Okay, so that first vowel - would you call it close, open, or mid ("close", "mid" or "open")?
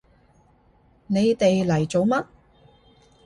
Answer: mid